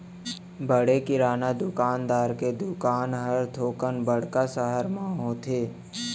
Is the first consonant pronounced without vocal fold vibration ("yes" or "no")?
no